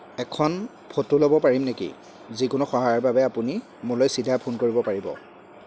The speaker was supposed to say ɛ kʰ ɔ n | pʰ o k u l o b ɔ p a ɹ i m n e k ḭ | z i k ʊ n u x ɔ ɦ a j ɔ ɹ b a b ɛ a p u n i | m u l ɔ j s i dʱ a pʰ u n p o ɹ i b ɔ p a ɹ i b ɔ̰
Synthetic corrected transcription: ɛ kʰ ɔ n | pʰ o t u l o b ɔ p a ɹ i m n e k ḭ | z i k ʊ n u x ɔ ɦ a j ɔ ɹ b a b ɛ a p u n i | m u l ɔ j s i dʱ a pʰ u n k o ɹ i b ɔ p a ɹ i b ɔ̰